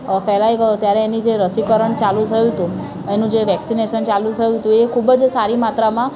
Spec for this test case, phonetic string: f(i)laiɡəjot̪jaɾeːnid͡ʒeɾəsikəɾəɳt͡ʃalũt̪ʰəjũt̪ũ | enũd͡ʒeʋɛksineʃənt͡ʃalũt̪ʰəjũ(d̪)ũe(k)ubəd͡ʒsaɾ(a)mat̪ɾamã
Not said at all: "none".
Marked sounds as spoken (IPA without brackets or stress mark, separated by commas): ɛ, t̪, kʰ, i